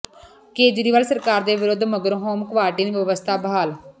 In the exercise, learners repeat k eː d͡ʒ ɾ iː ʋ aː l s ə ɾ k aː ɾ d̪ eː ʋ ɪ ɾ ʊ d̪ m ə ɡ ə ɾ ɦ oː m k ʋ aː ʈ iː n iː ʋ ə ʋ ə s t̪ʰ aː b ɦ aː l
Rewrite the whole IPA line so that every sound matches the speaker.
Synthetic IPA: k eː d͡ʒ ɾ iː ʋ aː l s ə ɾ k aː ɾ d̪ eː ʋ ɪ ɾ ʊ d̪ m ə ɡ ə ɾ ɦ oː m k ʋ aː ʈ iː n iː ʋ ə ʋ ə s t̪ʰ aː b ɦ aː l